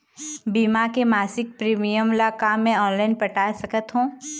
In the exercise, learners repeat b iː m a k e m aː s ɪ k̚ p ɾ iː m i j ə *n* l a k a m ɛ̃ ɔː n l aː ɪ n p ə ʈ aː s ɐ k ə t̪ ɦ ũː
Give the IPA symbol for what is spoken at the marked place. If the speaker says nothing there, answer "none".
m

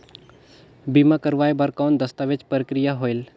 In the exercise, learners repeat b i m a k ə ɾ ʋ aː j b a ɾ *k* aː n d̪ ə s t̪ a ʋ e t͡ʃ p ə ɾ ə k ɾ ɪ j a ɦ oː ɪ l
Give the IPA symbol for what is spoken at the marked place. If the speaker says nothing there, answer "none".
k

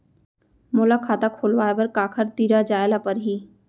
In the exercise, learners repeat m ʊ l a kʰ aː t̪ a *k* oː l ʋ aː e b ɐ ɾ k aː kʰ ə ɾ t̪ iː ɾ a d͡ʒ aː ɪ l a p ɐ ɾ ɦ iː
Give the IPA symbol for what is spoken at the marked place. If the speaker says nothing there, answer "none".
kʰ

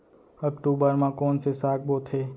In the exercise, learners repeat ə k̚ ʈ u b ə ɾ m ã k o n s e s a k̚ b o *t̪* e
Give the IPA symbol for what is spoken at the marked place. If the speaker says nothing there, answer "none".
t̪ʰ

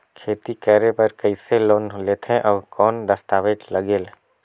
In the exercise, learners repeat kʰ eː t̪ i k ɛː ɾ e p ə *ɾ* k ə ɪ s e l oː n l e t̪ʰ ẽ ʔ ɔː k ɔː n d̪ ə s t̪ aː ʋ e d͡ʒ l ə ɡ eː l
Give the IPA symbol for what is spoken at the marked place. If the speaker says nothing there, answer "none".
ɾ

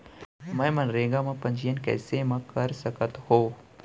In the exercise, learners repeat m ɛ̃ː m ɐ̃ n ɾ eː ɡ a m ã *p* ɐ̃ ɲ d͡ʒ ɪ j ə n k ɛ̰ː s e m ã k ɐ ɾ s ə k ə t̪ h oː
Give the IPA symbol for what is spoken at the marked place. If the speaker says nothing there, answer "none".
p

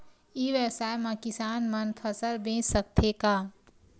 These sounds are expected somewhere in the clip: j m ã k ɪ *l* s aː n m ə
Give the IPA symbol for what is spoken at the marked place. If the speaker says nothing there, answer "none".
none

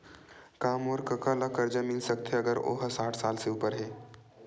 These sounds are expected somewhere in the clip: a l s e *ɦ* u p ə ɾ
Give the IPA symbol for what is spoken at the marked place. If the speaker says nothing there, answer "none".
none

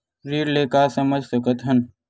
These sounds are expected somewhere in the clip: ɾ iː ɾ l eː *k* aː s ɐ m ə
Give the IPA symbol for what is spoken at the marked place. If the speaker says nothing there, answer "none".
k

